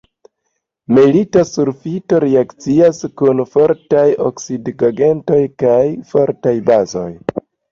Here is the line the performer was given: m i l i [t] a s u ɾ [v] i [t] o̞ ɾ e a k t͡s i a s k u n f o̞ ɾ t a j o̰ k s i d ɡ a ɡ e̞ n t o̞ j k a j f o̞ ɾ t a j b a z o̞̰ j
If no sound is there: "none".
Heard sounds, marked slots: t, f, t

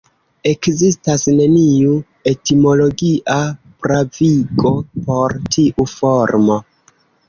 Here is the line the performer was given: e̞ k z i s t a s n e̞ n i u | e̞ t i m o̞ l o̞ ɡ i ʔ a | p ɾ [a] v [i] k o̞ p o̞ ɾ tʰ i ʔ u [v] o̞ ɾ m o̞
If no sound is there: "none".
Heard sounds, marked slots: a, i, f

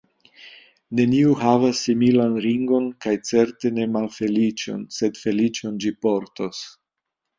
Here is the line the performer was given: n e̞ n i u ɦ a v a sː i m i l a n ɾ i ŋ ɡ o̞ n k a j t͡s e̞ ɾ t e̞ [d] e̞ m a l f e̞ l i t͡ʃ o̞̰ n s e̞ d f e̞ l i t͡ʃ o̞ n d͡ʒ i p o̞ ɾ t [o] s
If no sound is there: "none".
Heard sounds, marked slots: n, o

